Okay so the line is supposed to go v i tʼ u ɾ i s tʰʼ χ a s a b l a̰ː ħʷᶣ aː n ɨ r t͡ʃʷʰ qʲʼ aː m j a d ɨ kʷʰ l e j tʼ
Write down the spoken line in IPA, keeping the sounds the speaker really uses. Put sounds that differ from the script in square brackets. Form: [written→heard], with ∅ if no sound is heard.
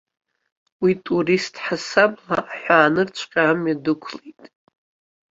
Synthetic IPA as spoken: [v→w] i tʼ u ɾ i s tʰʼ [χ→ħ] a s a b l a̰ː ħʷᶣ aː n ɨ r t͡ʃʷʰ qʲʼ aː m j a d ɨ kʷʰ l e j tʼ